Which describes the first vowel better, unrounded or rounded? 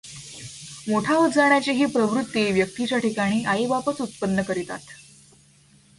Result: rounded